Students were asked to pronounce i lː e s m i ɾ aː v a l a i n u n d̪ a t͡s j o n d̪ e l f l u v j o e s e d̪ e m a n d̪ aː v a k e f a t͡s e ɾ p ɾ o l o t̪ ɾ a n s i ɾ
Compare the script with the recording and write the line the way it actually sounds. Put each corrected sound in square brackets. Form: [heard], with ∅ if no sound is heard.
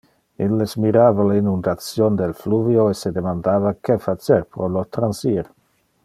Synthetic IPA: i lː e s m i ɾ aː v a l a i n u n d̪ a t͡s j o n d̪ e l f l u v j o e s e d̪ e m a n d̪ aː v a k e f a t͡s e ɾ p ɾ o l o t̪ ɾ a n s i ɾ